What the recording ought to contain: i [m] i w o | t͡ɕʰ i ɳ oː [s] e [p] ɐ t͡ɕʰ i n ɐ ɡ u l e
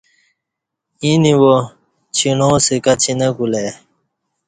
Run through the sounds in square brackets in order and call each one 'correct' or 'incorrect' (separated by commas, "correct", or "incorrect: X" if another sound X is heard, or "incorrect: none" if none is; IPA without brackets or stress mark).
incorrect: n, correct, incorrect: k